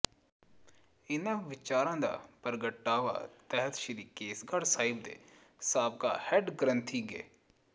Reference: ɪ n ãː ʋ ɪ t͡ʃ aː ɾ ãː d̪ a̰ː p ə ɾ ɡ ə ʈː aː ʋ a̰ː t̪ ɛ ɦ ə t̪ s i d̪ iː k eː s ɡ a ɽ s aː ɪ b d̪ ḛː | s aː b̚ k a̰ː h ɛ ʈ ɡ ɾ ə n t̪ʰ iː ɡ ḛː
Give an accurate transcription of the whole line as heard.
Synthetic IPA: ɪ n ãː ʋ ɪ t͡ʃ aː ɾ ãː d̪ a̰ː p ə ɾ ɡ ə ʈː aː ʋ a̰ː t̪ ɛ ɦ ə t̪ ʃ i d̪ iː k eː s ɡ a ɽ s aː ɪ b d̪ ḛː | s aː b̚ k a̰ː h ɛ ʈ ɡ ɾ ə n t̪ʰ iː ɡ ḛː